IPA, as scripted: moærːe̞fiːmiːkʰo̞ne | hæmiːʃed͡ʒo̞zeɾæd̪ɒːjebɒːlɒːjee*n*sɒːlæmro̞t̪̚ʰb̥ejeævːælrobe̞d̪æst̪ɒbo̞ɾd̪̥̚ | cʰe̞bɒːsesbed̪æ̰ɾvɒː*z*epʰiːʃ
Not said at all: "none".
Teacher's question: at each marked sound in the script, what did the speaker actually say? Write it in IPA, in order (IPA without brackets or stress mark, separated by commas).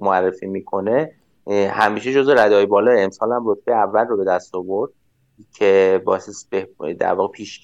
m, ɣ